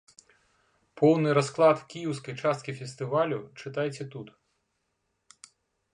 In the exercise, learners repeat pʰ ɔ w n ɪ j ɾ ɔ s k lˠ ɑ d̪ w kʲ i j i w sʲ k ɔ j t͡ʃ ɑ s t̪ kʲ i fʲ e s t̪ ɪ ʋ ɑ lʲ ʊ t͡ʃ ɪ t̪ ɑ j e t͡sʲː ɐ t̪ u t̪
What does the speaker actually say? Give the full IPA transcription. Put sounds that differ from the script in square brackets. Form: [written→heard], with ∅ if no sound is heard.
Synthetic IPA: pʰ ɔ w n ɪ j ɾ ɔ s k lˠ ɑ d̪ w kʲ i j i w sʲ k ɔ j t͡ʃ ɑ s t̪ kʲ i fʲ e s t̪ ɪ ʋ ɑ lʲ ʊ t͡ʃ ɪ t̪ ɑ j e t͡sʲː ɐ t̪ u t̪